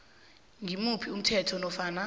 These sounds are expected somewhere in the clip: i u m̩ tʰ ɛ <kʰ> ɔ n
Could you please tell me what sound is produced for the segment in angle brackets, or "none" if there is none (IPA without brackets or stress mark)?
tʰ